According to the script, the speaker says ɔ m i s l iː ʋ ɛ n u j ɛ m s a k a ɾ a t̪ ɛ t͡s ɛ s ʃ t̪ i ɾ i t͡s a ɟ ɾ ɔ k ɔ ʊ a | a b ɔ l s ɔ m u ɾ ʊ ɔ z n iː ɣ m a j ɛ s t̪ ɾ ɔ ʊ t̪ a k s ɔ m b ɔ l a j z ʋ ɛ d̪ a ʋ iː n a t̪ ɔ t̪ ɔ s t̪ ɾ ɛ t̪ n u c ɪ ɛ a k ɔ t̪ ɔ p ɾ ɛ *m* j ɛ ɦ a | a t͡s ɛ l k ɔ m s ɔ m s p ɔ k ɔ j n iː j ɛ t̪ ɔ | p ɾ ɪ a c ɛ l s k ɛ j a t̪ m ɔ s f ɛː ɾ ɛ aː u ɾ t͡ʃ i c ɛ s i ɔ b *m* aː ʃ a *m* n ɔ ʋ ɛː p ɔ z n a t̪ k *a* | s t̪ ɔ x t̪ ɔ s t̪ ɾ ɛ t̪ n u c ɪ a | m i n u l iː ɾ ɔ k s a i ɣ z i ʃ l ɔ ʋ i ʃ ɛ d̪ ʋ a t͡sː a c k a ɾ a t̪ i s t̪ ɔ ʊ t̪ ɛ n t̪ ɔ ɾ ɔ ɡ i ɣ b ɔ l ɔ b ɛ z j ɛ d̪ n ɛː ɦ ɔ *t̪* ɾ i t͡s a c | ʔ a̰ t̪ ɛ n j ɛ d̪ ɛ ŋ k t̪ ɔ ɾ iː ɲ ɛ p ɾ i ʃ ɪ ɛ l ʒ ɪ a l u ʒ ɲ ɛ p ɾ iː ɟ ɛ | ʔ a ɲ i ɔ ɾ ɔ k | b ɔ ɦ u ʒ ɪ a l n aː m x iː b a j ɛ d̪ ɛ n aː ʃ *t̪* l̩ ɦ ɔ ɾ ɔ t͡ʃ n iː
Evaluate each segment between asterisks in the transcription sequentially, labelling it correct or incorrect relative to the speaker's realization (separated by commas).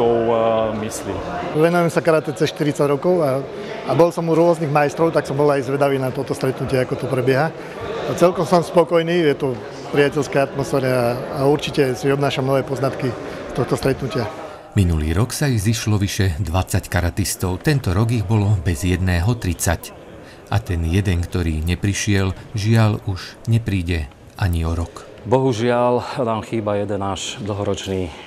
incorrect, incorrect, correct, incorrect, correct, incorrect